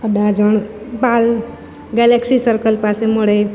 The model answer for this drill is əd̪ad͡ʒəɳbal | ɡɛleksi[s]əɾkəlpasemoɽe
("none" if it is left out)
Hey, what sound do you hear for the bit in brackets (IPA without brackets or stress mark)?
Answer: s